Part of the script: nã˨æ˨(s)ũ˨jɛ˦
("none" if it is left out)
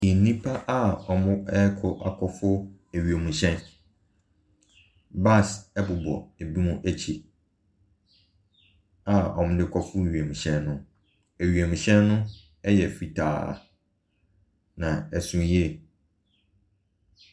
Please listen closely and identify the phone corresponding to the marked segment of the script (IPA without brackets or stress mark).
s